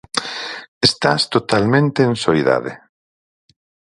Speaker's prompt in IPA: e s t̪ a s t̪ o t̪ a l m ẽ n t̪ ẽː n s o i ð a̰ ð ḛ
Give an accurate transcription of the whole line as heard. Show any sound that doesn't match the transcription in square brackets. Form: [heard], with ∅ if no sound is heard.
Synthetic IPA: e s t̪ a s t̪ o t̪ a l m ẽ n t̪ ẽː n s o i ð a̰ ð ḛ